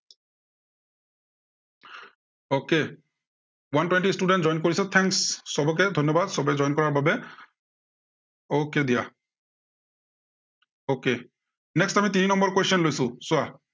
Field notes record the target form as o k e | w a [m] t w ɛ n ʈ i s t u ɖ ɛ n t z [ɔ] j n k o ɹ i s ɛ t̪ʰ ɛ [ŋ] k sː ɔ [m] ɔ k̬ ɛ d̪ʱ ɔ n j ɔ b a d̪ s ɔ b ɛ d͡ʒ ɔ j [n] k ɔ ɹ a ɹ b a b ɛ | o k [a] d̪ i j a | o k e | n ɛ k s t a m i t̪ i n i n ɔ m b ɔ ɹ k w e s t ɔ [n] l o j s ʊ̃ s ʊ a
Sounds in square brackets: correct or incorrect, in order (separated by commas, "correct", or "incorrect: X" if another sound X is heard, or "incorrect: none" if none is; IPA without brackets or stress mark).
incorrect: n, correct, correct, incorrect: b, correct, incorrect: e, correct